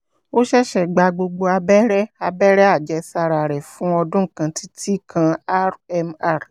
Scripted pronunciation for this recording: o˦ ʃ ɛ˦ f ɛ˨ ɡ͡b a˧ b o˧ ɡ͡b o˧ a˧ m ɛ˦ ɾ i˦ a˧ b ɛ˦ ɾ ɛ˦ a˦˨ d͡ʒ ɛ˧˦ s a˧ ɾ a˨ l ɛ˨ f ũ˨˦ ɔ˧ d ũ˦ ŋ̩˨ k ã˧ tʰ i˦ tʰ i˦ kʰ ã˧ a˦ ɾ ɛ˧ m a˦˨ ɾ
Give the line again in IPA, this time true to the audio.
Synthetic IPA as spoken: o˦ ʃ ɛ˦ ʃ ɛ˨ ɡ͡b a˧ ɡ͡b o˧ ɡ͡b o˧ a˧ b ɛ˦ ɾ ɛ˦ a˧ b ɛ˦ ɾ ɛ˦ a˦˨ d͡ʒ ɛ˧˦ s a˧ ɾ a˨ ɾ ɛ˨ f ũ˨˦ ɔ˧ d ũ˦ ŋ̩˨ k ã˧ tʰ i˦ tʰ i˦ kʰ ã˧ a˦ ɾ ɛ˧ m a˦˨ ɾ